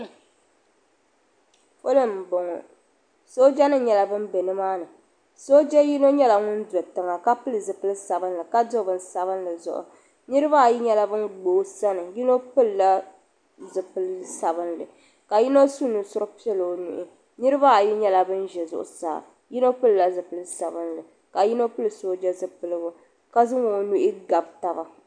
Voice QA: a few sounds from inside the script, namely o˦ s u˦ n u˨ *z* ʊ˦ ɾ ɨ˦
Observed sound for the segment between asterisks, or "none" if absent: s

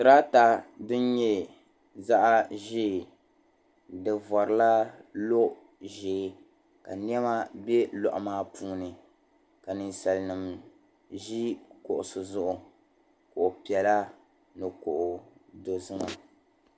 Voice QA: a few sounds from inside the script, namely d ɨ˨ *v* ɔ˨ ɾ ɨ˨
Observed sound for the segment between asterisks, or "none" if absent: v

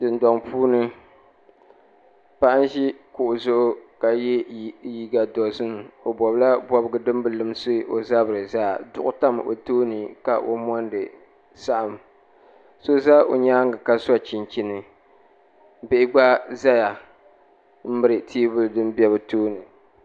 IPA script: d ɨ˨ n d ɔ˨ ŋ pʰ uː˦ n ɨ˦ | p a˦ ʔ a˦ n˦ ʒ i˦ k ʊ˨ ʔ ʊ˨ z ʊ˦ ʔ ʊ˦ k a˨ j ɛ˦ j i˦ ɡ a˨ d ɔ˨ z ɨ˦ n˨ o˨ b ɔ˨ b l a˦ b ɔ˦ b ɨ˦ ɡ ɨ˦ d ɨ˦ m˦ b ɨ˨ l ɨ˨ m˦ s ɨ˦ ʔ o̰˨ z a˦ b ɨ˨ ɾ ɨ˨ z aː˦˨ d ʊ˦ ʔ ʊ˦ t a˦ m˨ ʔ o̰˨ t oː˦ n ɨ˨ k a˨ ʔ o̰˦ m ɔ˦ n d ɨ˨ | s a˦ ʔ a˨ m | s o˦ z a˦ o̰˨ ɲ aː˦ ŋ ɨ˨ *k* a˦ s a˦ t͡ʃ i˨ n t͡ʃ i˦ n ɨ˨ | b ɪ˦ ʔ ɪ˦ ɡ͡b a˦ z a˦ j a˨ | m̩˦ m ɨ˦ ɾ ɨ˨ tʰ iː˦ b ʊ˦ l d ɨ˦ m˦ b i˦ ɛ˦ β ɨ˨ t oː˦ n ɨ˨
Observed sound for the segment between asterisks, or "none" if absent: k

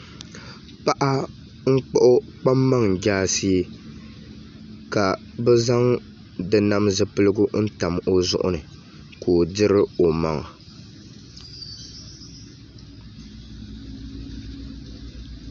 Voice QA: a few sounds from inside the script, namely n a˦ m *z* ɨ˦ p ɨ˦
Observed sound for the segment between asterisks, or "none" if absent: z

